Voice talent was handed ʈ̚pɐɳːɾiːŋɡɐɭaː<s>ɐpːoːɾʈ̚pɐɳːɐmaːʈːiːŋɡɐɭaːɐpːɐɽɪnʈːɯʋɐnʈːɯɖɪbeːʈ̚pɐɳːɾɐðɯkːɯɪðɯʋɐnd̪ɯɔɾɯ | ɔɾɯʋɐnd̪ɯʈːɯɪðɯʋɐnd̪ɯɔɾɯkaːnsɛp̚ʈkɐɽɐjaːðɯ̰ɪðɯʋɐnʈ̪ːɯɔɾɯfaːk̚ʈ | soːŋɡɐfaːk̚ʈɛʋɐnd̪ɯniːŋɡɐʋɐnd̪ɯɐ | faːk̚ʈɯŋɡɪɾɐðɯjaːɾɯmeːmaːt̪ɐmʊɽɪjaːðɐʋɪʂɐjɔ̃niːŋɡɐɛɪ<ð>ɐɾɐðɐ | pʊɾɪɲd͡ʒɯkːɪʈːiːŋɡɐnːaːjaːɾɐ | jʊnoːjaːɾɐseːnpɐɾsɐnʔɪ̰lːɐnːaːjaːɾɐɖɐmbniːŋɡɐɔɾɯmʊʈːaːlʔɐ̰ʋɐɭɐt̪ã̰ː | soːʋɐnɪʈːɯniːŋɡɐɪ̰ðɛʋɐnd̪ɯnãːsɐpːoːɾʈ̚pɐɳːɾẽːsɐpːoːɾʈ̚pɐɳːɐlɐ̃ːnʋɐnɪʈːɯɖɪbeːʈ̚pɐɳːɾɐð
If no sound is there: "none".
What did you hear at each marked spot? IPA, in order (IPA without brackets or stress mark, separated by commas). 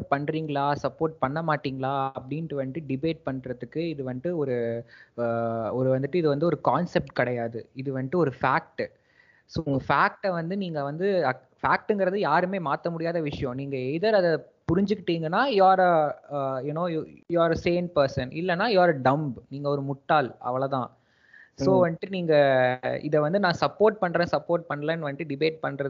s, ð